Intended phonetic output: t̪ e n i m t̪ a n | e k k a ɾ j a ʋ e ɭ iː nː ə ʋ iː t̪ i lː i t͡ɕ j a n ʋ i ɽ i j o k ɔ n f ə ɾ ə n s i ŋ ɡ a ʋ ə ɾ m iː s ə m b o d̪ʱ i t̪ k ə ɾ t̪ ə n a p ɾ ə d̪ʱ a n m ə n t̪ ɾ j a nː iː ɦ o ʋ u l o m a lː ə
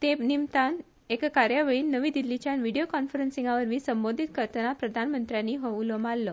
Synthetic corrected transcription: t̪ e n i m t̪ a n | e k k a ɾ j a ʋ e ɭ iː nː ə ʋ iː d̪ i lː i t͡ɕ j a n ʋ i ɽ i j o k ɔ n f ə ɾ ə n s i ŋ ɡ a ʋ ə ɾ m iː s ə m b o d̪ʱ i t̪ k ə ɾ t̪ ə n a p ɾ ə d̪ʱ a n m ə n t̪ ɾ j a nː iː ɦ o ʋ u l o m a lː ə